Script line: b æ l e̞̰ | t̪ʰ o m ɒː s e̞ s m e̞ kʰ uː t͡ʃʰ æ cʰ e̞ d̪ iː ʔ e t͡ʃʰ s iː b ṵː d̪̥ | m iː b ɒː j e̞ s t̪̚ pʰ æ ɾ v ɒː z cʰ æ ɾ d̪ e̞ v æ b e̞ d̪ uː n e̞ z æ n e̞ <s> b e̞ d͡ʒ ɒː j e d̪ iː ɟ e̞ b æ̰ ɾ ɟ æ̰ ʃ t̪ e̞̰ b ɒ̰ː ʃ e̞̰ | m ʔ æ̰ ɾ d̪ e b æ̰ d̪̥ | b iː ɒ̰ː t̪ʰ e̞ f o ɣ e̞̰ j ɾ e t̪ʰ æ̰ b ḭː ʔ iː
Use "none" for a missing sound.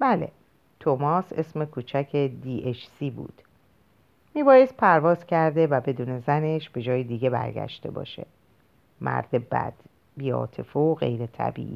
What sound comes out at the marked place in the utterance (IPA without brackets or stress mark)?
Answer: ʃ